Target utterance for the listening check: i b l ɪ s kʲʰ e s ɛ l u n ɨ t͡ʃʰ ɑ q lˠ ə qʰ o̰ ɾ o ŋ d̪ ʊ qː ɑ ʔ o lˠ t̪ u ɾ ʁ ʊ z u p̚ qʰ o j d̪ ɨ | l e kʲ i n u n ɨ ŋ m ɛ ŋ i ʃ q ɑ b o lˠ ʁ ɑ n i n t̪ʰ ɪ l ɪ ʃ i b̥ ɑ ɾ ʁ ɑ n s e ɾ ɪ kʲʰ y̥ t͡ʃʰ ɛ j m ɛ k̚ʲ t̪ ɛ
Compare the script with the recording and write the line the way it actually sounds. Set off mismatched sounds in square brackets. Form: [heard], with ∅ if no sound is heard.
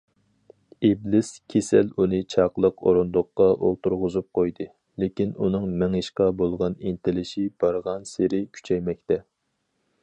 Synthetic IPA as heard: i b l ɪ s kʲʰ e s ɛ l u n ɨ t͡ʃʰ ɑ q lˠ ə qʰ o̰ ɾ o [n] d̪ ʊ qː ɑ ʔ o lˠ t̪ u ɾ ʁ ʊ z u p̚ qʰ o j d̪ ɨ | l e kʲ i n u n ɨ ŋ m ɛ ŋ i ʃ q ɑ b o lˠ ʁ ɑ n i n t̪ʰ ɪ l ɪ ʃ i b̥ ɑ ɾ ʁ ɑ n s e ɾ ɪ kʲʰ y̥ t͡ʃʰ ɛ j m ɛ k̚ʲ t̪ ɛ